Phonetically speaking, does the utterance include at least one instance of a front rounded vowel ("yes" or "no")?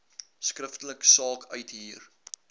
yes